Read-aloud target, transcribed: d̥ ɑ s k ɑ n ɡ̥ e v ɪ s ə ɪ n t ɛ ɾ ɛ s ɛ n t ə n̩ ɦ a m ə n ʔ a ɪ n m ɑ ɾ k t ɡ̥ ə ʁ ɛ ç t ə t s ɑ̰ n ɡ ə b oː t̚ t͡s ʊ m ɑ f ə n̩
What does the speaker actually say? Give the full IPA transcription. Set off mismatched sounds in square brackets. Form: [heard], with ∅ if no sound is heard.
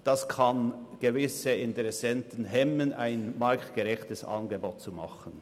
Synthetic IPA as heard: d̥ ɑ s [kʰ] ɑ n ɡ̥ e v ɪ s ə ɪ n t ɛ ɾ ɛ s ɛ n t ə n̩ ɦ [ɛ] m ə n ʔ a ɪ n m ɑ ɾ k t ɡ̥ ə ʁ ɛ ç t ə [∅] s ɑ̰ n ɡ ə b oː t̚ t͡s [u] m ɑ [χ] ə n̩